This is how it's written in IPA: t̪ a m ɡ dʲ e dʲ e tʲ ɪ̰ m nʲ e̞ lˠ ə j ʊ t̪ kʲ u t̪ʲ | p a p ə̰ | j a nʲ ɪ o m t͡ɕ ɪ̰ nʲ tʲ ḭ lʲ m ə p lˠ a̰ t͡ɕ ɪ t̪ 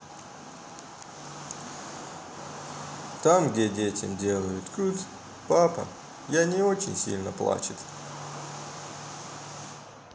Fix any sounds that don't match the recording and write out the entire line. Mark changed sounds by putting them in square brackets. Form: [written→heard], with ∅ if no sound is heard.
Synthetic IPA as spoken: t̪ a m ɡ dʲ e dʲ e tʲ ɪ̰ m [nʲ→dʲ] e̞ lˠ ə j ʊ t̪ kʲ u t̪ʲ | p a p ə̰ | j a nʲ ɪ o [m→∅] t͡ɕ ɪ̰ nʲ [tʲ→sʲ] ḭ lʲ [m→n] ə p lˠ a̰ t͡ɕ ɪ t̪